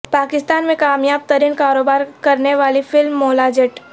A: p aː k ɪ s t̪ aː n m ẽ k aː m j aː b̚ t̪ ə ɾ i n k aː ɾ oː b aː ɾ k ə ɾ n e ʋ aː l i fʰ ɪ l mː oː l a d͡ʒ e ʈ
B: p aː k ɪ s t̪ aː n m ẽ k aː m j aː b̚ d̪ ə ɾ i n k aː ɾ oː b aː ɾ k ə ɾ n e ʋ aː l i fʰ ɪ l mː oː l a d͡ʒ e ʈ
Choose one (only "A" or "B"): A